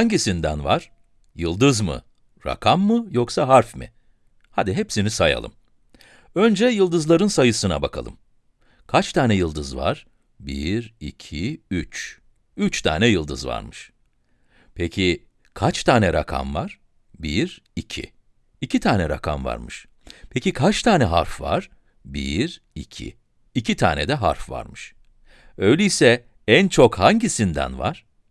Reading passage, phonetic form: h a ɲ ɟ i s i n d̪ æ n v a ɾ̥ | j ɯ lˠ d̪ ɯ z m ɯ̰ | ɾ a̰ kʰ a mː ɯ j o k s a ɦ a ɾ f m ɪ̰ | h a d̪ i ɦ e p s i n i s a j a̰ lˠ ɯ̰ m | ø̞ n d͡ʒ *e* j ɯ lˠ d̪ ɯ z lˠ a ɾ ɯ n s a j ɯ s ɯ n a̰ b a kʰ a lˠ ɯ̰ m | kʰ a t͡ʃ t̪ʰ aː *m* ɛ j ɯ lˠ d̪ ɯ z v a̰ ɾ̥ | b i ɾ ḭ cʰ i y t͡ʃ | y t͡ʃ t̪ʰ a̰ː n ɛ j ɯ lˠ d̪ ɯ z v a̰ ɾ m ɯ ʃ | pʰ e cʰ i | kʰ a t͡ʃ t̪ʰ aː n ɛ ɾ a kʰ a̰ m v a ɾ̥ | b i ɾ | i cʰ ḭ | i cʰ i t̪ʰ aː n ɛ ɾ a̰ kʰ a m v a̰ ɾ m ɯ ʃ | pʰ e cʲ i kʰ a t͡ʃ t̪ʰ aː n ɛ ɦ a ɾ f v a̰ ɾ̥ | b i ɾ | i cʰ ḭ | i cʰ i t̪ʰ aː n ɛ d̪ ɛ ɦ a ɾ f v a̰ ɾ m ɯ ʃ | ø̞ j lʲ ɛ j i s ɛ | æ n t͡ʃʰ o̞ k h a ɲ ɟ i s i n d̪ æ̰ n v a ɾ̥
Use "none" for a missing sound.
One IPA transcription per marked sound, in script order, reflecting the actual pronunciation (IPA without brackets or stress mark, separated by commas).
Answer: ɛ, n